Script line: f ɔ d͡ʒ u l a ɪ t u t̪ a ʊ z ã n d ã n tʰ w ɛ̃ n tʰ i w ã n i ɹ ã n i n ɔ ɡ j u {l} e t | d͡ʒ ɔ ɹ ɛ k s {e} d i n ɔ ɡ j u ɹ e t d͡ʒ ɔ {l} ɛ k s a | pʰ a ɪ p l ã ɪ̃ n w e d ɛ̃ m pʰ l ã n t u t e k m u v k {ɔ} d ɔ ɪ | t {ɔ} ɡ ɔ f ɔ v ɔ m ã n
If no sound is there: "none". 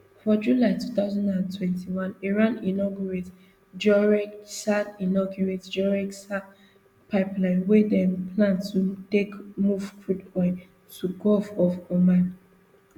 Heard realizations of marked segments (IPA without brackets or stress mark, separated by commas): ɹ, a, ɹ, u, u